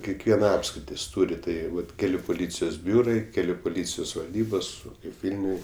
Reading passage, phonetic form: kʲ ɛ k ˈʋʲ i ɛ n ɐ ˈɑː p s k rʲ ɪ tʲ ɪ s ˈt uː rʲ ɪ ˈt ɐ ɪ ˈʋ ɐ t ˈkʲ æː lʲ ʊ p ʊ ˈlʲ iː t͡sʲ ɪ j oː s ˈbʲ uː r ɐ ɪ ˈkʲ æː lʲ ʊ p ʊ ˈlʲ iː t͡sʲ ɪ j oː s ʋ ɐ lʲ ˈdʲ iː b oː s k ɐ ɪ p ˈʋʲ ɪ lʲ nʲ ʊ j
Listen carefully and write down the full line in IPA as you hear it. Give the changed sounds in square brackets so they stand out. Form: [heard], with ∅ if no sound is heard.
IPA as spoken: kʲ ɛ k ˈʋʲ i ɛ n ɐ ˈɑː p s k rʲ ɪ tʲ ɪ s ˈt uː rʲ ɪ ˈt ɐ ɪ ˈʋ ɐ t ˈkʲ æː lʲ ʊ p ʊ ˈlʲ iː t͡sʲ ɪ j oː s ˈbʲ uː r ɐ ɪ ˈkʲ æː lʲ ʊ p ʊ ˈlʲ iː t͡sʲ ɪ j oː s ʋ ɐ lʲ ˈdʲ iː b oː s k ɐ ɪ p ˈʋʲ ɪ lʲ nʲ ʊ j